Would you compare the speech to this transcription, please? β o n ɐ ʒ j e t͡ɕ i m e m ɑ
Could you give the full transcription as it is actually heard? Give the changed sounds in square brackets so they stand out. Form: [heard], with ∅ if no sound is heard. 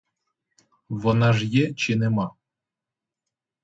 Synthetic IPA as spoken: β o n [ɑ] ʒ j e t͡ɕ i [n] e m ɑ